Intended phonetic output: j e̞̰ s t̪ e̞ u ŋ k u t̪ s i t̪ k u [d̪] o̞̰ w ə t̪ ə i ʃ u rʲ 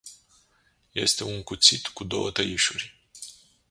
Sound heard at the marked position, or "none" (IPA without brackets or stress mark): d̪